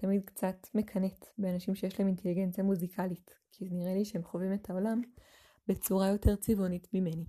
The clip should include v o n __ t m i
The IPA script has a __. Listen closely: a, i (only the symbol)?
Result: i